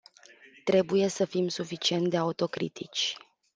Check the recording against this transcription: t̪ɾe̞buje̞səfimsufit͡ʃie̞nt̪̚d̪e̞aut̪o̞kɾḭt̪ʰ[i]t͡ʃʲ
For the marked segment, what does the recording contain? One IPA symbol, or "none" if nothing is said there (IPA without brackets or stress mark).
i